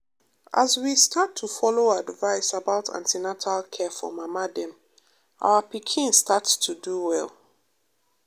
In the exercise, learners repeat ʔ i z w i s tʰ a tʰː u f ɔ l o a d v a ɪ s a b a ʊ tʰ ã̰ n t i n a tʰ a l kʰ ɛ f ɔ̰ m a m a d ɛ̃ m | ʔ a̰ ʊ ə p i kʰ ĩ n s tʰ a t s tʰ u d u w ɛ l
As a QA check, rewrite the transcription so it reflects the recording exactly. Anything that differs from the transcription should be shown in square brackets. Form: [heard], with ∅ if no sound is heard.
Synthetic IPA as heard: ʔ [a] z w i s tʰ a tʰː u f ɔ l o a d v a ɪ s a b a ʊ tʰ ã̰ n t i n a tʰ a l kʰ ɛ f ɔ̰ m a m a d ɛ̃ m | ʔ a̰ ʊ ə p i kʰ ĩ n s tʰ a t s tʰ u d u w ɛ l